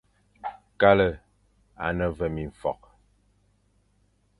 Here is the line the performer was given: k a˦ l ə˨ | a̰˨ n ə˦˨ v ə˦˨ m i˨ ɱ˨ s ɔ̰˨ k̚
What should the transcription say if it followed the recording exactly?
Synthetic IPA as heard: k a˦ l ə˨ | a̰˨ n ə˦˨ v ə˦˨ m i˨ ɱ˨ f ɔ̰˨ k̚

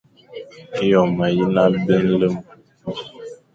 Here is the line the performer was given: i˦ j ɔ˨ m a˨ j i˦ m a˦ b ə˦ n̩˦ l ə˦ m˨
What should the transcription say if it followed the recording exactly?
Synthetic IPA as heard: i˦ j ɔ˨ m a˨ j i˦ n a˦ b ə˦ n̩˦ l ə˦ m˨

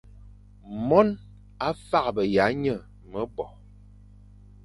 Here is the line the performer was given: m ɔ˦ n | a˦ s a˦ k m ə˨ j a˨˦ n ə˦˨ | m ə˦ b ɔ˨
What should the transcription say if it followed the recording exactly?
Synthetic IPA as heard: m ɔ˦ n | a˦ f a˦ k b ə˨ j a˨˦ ɲ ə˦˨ | m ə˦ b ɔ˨

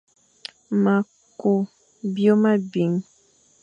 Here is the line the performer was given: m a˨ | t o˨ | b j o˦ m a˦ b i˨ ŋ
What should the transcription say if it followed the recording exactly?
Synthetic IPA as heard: m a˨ | k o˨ | b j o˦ m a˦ b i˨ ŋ

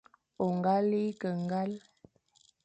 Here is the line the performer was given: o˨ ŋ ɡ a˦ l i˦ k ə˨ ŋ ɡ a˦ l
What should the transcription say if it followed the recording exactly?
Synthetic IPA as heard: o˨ ŋ ɡ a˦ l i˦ k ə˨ ŋ ɡ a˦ l

